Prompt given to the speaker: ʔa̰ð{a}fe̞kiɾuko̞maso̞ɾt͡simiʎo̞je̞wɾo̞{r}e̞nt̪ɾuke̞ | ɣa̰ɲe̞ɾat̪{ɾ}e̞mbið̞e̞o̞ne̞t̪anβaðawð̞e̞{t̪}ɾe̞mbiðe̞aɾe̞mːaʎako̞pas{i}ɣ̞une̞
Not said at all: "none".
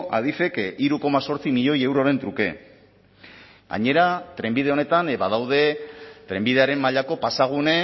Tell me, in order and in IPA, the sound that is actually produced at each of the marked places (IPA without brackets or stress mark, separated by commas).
i, ɾ, ɾ, t̪, a